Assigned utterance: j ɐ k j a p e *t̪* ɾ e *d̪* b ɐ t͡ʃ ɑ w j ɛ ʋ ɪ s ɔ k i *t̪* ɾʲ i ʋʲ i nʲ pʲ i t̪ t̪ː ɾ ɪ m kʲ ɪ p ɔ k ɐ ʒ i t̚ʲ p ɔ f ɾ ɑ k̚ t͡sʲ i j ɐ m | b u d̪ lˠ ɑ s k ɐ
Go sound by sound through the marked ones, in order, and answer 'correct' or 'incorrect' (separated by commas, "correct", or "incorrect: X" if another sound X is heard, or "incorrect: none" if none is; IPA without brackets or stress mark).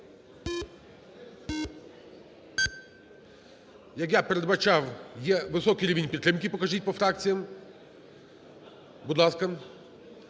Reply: incorrect: none, correct, incorrect: none